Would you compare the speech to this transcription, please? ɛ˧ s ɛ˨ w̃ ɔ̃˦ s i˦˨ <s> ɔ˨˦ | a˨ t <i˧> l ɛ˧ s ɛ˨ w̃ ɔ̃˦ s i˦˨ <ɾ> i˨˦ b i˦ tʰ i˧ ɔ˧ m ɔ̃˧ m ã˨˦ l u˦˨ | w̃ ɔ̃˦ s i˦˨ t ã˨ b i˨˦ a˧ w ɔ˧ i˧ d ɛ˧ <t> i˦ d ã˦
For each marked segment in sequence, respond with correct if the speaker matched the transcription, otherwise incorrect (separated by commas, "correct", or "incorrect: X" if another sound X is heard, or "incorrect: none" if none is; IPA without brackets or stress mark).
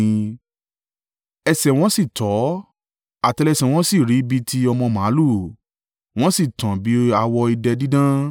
incorrect: t, incorrect: ɛ˧, correct, incorrect: d